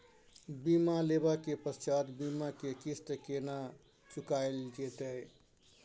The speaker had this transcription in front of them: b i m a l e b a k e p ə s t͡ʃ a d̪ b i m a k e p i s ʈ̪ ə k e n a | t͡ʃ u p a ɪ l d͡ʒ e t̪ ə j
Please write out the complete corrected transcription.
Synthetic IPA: b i m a l e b a k e p ə s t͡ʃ a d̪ b i m a k e k i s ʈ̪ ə k e n a | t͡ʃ u k a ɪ l d͡ʒ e t̪ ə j